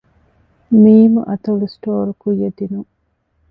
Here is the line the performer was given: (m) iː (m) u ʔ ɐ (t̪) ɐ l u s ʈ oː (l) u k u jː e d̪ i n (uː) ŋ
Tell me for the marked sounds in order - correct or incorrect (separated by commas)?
correct, correct, correct, incorrect, incorrect